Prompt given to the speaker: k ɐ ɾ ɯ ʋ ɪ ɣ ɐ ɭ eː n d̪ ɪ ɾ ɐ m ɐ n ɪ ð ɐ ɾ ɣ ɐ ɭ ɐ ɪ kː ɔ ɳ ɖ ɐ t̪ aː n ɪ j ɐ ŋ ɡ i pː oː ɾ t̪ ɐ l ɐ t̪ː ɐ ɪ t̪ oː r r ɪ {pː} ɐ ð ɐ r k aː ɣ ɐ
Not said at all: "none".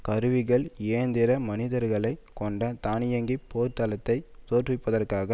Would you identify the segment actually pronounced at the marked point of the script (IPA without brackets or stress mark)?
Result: pː